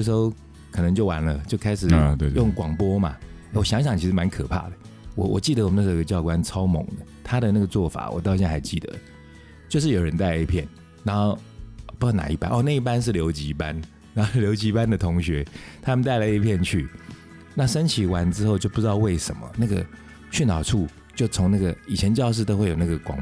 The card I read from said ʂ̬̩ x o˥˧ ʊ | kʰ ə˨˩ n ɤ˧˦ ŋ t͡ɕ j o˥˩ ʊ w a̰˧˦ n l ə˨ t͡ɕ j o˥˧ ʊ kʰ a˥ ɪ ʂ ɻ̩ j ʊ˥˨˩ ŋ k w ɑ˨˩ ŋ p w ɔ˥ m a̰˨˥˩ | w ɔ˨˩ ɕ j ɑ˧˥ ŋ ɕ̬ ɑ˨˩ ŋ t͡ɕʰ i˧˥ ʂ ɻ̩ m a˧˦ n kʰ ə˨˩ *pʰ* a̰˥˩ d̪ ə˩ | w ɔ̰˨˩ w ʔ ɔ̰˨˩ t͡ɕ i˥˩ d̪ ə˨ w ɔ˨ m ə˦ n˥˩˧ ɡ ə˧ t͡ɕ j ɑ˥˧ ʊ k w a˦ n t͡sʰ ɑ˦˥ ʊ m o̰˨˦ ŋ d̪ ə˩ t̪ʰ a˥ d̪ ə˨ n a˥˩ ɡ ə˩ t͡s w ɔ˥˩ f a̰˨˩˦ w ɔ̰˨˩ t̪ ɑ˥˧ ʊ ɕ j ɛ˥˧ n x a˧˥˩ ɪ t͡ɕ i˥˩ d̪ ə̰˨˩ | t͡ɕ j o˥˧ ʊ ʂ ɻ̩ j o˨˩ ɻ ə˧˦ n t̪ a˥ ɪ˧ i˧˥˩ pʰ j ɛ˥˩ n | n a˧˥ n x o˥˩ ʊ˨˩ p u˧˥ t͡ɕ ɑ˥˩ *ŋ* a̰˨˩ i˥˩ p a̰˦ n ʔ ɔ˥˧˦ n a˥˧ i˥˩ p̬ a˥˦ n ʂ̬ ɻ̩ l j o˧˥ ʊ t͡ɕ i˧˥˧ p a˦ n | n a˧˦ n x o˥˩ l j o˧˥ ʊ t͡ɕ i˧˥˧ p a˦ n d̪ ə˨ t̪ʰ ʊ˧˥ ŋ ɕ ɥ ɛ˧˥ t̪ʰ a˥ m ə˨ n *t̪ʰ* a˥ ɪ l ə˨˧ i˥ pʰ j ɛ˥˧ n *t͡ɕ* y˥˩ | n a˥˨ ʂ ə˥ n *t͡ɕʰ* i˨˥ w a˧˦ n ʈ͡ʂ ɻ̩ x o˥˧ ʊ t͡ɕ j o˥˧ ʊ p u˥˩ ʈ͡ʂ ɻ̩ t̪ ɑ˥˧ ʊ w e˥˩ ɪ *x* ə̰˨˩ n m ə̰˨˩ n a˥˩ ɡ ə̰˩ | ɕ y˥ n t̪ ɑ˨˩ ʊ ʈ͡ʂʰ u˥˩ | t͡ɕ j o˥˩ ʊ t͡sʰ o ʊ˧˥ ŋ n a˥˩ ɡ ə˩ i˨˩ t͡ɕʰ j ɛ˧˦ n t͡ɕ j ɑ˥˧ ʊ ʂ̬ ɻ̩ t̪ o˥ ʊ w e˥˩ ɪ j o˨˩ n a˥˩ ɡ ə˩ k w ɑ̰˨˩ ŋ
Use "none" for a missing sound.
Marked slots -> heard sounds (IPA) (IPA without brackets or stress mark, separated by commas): pʰ, n, t̪, t͡ɕʰ, t͡ɕʰ, ʂ